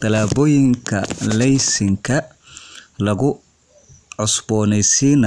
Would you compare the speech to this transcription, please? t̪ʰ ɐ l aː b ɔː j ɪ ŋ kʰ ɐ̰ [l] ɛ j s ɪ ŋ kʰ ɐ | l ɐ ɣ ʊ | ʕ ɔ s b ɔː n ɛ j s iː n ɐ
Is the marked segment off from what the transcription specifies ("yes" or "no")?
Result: no